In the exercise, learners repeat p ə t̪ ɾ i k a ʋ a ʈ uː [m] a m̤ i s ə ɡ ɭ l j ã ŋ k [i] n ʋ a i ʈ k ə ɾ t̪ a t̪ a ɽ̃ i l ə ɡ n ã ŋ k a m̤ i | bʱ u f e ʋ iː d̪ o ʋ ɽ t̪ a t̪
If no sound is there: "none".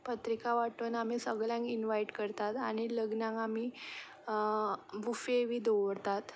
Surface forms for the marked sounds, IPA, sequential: n, i

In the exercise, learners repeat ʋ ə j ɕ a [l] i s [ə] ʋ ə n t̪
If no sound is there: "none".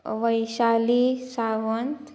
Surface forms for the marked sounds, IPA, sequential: l, a

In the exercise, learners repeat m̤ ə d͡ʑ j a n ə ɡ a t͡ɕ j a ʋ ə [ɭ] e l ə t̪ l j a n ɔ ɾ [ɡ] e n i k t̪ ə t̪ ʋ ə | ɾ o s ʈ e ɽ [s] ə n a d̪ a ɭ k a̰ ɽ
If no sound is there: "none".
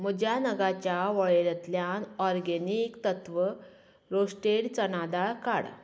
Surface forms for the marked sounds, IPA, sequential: ɭ, ɡ, t͡s

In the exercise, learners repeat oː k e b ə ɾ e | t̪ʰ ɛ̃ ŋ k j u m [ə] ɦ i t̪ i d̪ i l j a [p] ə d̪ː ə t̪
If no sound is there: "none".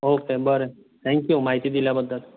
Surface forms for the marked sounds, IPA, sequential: a, b

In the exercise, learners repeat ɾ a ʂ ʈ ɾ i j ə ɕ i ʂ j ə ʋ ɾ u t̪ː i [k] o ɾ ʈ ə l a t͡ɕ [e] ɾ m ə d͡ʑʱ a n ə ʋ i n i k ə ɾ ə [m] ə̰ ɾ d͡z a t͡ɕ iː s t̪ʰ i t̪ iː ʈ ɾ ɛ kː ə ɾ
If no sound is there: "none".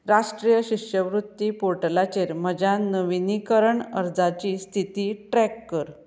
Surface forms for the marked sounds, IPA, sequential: p, e, ɳ

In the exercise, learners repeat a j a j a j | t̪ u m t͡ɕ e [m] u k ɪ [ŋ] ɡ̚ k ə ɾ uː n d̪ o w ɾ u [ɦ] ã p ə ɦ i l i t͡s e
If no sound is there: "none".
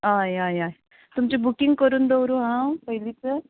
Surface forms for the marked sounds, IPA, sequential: b, ŋ, ɦ

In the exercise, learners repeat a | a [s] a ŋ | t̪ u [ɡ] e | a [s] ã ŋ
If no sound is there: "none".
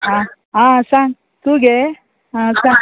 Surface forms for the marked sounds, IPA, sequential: s, ɡ, s

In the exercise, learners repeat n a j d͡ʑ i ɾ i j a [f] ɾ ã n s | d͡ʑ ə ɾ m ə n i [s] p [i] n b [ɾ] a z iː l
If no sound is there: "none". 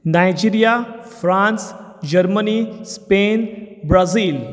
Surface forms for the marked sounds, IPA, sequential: f, s, e, ɾ

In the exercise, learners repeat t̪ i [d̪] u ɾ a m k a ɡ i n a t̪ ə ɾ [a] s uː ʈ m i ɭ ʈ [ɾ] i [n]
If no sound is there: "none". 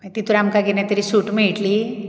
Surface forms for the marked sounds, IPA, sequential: t̪, i, l, none

